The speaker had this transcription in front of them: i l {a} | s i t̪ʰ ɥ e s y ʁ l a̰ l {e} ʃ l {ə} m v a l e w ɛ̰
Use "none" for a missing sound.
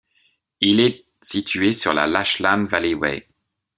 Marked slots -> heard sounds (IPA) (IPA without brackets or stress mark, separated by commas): ɛ, a, a